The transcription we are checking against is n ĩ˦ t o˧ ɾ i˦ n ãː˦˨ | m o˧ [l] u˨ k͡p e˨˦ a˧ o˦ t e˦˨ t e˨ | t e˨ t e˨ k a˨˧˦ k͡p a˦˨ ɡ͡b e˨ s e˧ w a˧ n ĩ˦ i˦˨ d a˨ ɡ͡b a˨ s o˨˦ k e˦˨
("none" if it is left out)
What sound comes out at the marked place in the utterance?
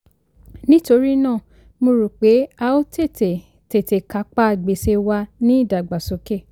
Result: ɾ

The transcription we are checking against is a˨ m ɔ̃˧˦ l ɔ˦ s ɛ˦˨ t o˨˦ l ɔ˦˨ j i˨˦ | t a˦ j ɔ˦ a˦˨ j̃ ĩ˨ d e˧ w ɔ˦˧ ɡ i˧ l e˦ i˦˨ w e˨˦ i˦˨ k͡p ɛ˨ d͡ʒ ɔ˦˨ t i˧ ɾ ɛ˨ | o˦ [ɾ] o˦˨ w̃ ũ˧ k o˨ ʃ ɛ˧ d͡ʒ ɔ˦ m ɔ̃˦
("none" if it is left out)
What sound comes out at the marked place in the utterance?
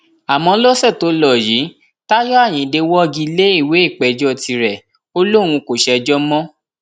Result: l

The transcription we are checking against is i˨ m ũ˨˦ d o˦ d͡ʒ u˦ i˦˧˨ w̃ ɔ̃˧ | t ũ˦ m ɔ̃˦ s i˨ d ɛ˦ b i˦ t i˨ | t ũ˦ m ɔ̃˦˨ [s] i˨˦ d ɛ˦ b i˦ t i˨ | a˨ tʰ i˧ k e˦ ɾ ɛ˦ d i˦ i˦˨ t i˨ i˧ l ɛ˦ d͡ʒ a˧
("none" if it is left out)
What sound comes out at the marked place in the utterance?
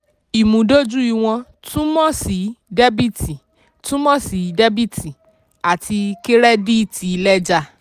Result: s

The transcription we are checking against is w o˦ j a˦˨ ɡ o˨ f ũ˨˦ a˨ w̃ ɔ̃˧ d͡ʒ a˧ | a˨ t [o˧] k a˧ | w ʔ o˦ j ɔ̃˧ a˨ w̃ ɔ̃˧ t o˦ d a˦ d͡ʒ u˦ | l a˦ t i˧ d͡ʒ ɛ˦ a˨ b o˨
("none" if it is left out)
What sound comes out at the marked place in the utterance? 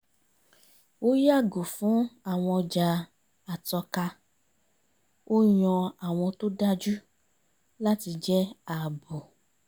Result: ɔ˧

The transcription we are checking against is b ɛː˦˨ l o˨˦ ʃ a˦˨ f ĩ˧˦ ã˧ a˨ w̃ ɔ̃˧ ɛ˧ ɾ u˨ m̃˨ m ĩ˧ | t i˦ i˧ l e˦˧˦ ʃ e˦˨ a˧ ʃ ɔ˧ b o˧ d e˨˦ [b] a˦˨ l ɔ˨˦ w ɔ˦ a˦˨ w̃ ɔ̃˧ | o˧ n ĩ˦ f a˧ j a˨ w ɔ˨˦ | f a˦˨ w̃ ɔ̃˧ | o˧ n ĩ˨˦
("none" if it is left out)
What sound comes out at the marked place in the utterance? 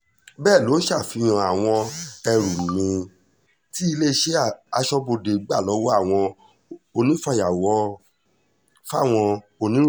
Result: ɡ͡b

